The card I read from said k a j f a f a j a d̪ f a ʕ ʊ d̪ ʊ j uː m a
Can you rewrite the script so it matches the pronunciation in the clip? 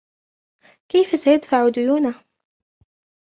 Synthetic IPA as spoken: k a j f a s a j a d̪ f a ʕ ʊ d̪ ʊ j uː n a